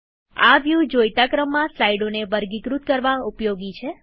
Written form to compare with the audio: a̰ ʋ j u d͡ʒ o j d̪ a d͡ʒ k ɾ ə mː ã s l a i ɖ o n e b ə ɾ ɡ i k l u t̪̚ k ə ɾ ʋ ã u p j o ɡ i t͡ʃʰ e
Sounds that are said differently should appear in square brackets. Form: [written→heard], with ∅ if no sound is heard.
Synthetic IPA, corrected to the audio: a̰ ʋ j u d͡ʒ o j [d̪→t̪] a [d͡ʒ→∅] k ɾ ə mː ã s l a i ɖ o n e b ə ɾ ɡ i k [l→ɾ] u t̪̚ k ə ɾ ʋ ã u p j o ɡ i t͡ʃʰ e